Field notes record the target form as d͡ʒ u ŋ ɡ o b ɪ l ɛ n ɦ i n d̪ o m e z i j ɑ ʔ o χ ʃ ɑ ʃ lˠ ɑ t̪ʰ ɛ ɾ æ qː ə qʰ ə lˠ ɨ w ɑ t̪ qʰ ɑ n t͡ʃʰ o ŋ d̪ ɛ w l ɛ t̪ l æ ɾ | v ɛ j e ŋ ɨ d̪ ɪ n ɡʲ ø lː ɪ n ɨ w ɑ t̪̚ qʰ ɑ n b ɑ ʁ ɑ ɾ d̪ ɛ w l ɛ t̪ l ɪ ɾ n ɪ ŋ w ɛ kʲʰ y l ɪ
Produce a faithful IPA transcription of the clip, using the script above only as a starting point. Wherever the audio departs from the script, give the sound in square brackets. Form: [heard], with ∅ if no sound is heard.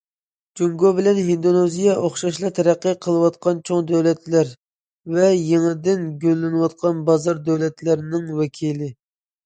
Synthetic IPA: d͡ʒ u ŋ ɡ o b ɪ l ɛ n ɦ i n d̪ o [n] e z i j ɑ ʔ o χ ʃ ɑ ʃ lˠ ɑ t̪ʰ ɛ ɾ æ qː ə qʰ ə lˠ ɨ w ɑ t̪ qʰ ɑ n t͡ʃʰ o ŋ d̪ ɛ w l ɛ t̪ l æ ɾ | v ɛ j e ŋ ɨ d̪ ɪ n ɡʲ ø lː ɪ n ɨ w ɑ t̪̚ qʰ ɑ n b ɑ [z] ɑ ɾ d̪ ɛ w l ɛ t̪ l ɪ ɾ n ɪ ŋ w ɛ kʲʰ [i] l ɪ